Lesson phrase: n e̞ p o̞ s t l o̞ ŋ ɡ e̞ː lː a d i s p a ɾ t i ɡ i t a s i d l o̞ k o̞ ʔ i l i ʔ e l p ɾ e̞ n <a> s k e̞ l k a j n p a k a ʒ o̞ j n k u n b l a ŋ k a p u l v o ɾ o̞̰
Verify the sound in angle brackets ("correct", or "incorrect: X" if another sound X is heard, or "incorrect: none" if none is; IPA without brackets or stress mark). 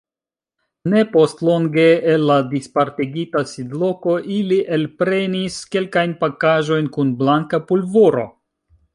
incorrect: i